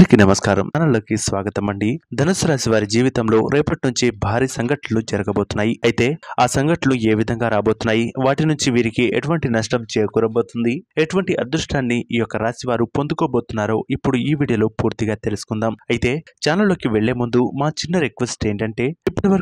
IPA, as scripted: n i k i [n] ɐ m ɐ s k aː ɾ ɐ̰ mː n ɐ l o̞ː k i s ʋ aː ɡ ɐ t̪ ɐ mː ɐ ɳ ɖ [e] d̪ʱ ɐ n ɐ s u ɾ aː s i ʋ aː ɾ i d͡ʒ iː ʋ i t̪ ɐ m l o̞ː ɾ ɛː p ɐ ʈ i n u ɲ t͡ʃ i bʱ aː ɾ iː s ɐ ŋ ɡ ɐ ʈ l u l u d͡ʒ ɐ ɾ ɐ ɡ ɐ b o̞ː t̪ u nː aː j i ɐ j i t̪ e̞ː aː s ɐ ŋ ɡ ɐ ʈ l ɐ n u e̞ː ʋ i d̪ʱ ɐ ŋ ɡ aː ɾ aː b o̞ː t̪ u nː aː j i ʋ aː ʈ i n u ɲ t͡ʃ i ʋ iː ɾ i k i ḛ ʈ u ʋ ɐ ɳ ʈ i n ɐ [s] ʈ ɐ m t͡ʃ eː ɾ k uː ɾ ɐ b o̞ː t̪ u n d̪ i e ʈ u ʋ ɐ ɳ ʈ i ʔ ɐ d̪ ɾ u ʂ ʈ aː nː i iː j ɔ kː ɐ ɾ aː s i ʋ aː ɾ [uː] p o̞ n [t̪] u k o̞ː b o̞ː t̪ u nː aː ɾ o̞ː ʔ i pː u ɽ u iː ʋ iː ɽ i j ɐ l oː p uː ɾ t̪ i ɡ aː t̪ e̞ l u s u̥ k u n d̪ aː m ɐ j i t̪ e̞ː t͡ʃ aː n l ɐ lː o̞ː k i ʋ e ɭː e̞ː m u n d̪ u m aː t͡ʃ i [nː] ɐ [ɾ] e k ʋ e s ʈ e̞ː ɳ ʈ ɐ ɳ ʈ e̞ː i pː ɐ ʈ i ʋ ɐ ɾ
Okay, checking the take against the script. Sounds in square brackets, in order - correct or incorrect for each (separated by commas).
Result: correct, incorrect, incorrect, incorrect, incorrect, correct, correct